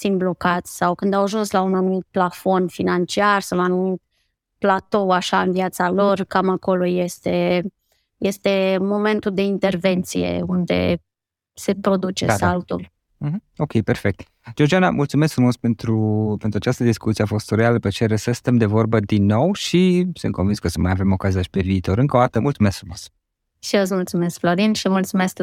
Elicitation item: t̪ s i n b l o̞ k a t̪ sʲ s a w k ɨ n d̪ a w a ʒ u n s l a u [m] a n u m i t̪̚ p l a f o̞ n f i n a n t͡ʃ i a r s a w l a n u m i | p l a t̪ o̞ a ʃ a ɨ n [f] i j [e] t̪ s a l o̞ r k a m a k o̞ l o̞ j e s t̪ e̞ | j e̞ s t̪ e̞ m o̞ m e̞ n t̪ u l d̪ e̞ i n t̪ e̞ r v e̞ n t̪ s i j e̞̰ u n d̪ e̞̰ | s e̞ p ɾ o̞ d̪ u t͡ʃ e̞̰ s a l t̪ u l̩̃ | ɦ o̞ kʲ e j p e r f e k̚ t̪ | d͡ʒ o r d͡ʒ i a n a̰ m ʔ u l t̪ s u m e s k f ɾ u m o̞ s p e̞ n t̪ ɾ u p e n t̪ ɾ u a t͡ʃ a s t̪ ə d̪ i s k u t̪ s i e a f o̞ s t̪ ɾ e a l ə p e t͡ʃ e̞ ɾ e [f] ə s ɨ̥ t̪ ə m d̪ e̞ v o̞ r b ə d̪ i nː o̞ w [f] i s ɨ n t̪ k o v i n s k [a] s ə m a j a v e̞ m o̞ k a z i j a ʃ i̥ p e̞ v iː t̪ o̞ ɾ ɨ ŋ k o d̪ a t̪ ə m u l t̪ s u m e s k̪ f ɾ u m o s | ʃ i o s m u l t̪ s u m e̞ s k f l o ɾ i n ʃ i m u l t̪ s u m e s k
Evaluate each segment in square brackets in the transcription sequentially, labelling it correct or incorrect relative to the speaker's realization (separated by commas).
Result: incorrect, incorrect, incorrect, incorrect, incorrect, incorrect